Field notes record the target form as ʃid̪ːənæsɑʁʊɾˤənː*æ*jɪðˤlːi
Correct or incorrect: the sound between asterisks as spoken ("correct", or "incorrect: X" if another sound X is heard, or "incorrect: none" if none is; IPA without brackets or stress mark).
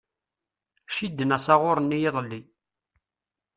incorrect: i